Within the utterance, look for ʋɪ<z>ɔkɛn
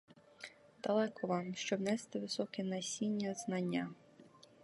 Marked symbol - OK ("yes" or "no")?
no